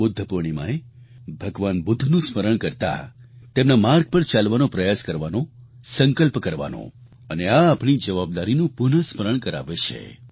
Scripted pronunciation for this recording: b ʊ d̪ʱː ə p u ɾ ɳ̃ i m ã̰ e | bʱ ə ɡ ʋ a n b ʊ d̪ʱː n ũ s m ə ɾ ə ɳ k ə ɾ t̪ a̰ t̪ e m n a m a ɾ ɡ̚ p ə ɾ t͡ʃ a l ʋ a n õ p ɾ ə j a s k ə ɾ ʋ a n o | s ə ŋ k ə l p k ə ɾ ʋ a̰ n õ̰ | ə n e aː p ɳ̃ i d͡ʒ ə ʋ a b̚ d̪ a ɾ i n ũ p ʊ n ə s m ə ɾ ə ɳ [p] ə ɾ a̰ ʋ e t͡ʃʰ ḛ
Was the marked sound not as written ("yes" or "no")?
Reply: yes